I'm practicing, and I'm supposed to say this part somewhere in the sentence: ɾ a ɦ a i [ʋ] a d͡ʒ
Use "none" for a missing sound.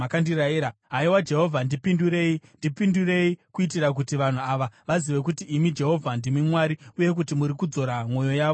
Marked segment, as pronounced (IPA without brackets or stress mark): w